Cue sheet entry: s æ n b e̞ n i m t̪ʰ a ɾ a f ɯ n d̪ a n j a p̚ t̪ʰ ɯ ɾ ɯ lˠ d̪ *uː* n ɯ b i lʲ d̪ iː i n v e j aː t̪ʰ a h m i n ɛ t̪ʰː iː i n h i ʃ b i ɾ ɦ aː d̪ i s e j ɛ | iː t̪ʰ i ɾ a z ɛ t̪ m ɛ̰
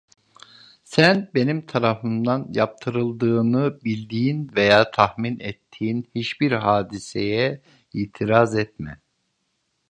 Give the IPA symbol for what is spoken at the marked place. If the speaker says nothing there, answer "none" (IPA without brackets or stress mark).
ɯː